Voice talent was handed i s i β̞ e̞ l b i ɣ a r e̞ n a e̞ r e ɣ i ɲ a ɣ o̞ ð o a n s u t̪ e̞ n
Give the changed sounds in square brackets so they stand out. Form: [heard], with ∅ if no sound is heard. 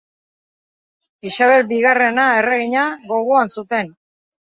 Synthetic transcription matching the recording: i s [a] β̞ e̞ l b i ɣ a r e̞ n a e̞ r e ɣ i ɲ a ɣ o̞ [ɣ] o a n s u t̪ e̞ n